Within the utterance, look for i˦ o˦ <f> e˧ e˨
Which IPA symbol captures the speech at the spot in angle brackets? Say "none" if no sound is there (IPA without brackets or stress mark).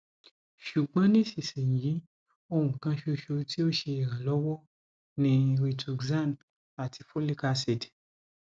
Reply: ʃ